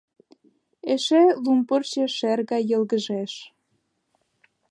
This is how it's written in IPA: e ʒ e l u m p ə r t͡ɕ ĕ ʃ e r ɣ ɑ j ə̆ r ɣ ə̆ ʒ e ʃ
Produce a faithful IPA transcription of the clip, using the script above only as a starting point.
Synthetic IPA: e ʃ e l u m p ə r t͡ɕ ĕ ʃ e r ɣ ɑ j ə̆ l ɣ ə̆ ʒ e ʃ